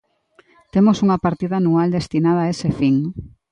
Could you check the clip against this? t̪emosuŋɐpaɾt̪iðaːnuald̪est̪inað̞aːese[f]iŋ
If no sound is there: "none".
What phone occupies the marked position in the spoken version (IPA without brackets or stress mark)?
f